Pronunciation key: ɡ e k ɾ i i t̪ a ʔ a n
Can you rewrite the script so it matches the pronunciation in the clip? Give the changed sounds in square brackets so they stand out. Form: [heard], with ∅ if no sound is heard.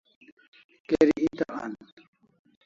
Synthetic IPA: [k] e [∅] ɾ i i t̪ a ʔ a n